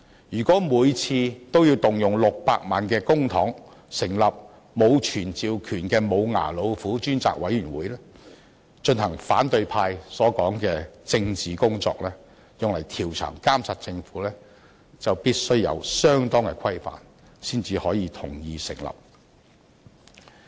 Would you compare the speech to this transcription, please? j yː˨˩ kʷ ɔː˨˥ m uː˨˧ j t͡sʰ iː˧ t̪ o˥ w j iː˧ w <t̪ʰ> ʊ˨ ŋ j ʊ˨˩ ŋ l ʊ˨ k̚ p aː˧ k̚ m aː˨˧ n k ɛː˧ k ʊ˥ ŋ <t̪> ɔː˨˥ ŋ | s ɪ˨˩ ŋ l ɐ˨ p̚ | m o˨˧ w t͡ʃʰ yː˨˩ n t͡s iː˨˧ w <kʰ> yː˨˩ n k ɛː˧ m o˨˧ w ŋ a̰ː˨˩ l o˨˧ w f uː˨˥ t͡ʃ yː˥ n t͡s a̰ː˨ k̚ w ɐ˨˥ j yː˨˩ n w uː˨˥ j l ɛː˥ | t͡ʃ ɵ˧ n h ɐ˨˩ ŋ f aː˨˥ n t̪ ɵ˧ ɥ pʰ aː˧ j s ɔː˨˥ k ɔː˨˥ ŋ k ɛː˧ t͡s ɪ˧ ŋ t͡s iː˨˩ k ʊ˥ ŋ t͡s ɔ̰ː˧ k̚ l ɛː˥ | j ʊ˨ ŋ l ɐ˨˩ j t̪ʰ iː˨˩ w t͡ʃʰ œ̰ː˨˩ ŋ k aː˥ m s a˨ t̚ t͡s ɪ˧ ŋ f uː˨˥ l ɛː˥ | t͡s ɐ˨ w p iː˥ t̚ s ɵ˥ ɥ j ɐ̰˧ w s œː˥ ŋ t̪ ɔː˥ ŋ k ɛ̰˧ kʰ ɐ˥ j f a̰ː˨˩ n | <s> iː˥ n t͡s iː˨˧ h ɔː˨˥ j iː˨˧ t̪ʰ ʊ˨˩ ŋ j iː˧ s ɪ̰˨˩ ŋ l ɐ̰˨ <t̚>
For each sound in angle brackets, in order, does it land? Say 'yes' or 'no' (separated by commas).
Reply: no, no, yes, yes, no